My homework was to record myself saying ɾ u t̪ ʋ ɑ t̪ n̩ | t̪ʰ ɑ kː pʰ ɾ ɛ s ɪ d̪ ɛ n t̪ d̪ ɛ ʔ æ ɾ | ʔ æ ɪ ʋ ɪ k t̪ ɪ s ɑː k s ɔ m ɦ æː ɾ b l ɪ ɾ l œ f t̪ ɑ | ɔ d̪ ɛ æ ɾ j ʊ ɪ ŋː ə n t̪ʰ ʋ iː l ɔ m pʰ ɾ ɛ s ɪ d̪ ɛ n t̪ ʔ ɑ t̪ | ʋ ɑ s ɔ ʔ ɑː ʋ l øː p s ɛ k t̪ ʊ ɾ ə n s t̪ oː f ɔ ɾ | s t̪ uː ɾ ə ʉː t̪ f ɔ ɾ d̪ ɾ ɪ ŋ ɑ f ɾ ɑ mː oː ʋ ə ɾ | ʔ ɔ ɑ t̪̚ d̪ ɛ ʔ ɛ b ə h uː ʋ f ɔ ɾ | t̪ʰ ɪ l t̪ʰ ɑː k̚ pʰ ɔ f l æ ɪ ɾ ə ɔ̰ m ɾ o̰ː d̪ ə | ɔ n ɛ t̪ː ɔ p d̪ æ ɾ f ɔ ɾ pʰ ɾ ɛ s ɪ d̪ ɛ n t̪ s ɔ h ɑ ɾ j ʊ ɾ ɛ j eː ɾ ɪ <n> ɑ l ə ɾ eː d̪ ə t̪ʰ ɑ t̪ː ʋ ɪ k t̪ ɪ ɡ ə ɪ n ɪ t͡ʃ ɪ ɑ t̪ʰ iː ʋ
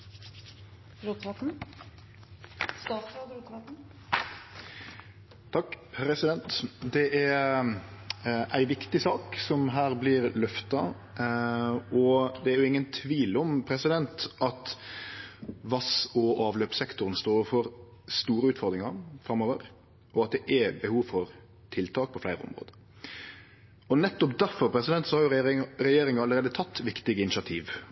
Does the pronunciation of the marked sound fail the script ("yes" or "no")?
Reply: yes